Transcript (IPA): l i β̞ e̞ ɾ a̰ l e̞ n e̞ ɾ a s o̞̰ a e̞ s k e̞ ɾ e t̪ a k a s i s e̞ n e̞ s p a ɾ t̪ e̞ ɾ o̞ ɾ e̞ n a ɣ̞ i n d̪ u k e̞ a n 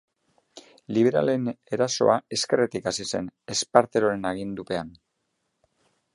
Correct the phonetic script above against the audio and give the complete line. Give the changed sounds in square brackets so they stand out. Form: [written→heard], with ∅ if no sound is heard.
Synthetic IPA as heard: l i β̞ e̞ ɾ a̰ l e̞ n e̞ ɾ a s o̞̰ a e̞ s k e̞ [ɾ→r] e t̪ [a→i] k a s i s e̞ n e̞ s p a ɾ t̪ e̞ ɾ o̞ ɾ e̞ n a ɣ̞ i n d̪ u [k→p] e̞ a n

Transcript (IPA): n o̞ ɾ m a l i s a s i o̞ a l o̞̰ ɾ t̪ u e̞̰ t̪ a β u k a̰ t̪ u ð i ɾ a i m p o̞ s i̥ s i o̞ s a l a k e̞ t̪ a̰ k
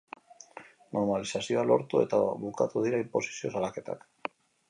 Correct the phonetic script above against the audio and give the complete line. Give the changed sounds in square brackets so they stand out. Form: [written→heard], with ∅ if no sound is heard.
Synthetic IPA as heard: n o̞ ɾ m a l i s a s i o̞ a l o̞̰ ɾ t̪ u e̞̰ t̪ a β u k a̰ t̪ u ð i ɾ a i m p o̞ s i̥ s i o̞ s a l a k e̞ t̪ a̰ k

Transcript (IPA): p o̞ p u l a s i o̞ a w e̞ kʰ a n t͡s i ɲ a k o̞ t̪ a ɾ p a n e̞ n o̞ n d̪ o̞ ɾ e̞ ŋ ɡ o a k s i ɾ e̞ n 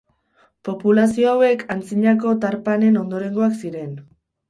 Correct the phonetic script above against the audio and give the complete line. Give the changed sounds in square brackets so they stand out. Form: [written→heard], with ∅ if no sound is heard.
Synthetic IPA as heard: p o̞ p u l a s i o̞ a w e̞ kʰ a n t͡s i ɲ a k o̞ t̪ a ɾ p a n e̞ n o̞ n d̪ o̞ ɾ e̞ ŋ ɡ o a k s i ɾ e̞ n

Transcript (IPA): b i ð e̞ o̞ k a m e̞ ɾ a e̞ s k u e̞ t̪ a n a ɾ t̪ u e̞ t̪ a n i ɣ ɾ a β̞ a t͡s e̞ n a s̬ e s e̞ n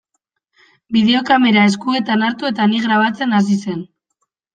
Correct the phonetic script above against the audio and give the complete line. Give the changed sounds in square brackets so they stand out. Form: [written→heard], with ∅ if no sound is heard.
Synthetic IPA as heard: b i ð e̞ o̞ k a m e̞ ɾ a e̞ s k u e̞ t̪ a n a ɾ t̪ u e̞ t̪ a n i ɣ ɾ a β̞ a t͡s e̞ n a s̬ [e→i] s e̞ n

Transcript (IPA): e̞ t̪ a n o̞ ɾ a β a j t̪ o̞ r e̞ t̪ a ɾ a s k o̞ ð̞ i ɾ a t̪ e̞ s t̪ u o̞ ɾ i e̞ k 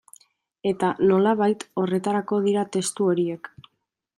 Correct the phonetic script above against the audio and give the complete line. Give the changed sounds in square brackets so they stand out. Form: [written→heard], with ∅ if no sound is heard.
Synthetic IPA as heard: e̞ t̪ a n o̞ [ɾ→l] a β a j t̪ o̞ r e̞ t̪ a ɾ a [s→∅] k o̞ ð̞ i ɾ a t̪ e̞ s t̪ u o̞ ɾ i e̞ k

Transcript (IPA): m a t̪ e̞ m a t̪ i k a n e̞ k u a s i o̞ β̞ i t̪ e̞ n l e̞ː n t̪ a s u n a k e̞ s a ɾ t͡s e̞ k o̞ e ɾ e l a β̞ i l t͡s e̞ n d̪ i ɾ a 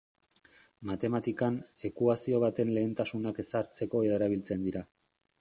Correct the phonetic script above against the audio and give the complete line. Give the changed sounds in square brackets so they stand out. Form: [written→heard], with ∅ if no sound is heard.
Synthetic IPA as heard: m a t̪ e̞ m a t̪ i k a n e̞ k u a s i o̞ β̞ [i→a] t̪ e̞ n l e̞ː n t̪ a s u n a k e̞ s a ɾ t͡s e̞ k o̞ e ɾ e [l→ɾ] a β̞ i l t͡s e̞ n d̪ i ɾ a

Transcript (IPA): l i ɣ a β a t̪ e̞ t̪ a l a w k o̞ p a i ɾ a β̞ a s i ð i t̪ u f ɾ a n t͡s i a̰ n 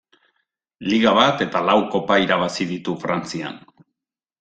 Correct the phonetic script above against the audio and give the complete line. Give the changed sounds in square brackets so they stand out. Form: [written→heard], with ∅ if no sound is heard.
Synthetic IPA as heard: l i ɣ a β a t̪ e̞ t̪ a l a w k o̞ p a i ɾ a β̞ a s i ð i t̪ u f ɾ a n t͡s i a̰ n

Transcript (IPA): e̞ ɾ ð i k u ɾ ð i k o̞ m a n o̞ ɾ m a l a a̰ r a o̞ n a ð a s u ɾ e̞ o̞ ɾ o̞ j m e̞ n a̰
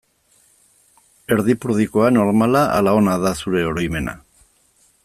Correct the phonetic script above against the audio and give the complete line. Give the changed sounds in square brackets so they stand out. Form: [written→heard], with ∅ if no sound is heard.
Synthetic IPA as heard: e̞ ɾ ð i [k→p] u ɾ ð i k o̞ [m→∅] a n o̞ ɾ m a l a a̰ [r→l] a o̞ n a ð a s u ɾ e̞ o̞ ɾ o̞ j m e̞ n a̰

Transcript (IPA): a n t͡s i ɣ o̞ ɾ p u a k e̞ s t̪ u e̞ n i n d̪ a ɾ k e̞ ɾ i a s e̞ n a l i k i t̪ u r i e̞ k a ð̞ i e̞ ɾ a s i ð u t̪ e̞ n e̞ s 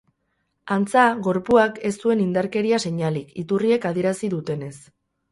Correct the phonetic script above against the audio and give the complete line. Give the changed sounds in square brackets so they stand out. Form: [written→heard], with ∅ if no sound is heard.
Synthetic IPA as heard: a n t͡s [i→a] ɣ o̞ ɾ p u a k e̞ s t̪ u e̞ n i n d̪ a ɾ k e̞ ɾ i a s e̞ [n→ɲ] a l i k i t̪ u r i e̞ k a ð̞ i e̞ ɾ a s i ð u t̪ e̞ n e̞ s

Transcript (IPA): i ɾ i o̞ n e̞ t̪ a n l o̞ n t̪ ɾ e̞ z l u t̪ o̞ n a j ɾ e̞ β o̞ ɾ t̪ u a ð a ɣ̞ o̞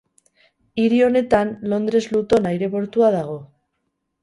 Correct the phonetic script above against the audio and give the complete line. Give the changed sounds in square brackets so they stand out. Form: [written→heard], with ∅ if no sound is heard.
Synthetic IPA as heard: i ɾ i o̞ n e̞ t̪ a n l o̞ n [t̪→d̪] ɾ e̞ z l u t̪ o̞ n a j ɾ e̞ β o̞ ɾ t̪ u a ð a ɣ̞ o̞

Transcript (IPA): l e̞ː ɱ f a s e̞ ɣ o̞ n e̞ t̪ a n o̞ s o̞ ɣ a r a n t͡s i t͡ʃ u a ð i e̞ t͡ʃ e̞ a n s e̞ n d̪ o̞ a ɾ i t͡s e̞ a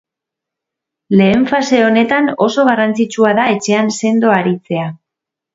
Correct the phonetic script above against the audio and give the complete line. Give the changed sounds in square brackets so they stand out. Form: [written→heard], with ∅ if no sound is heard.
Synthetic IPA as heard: l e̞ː ɱ f a s e̞ [ɣ→∅] o̞ n e̞ t̪ a n o̞ s o̞ ɣ a r a n t͡s i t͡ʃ u a ð [i→a] e̞ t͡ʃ e̞ a n s e̞ n d̪ o̞ a ɾ i t͡s e̞ a

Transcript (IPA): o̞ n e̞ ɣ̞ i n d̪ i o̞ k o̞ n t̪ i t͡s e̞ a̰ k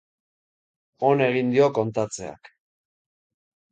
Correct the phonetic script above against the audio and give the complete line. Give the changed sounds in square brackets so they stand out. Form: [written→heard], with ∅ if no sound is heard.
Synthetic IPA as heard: o̞ n e̞ ɣ̞ i n d̪ i o̞ k o̞ n t̪ [i→a] t͡s e̞ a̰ k

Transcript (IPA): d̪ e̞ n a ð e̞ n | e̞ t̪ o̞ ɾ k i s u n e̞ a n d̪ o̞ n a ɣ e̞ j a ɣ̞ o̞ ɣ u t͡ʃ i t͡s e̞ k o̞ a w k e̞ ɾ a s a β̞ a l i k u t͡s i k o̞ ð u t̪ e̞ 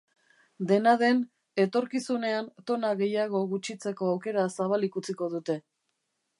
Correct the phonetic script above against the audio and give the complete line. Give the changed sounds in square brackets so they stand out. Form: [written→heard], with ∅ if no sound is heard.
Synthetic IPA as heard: d̪ e̞ n a ð e̞ n | e̞ t̪ o̞ ɾ k i s u n e̞ a n [d̪→t̪] o̞ n a ɣ e̞ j a ɣ̞ o̞ ɣ u t͡ʃ i t͡s e̞ k o̞ a w k e̞ ɾ a s a β̞ a l i k u t͡s i k o̞ ð u t̪ e̞

